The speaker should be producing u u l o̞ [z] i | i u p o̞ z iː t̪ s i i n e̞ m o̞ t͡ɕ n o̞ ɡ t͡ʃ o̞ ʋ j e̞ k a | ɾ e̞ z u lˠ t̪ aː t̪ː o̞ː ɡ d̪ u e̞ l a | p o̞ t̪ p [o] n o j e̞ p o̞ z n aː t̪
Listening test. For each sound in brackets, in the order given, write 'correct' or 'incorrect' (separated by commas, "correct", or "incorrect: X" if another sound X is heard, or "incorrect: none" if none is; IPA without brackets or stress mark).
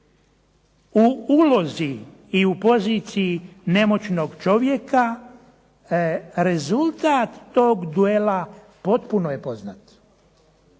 correct, incorrect: u